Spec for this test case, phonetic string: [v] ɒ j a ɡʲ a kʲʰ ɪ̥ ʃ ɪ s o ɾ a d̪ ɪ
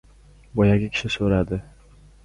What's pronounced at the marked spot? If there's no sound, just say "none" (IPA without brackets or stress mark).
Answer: b